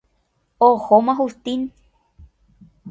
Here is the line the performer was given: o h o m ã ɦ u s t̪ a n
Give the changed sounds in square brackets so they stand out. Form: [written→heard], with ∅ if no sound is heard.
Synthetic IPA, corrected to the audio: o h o m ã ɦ u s t̪ [a→i] n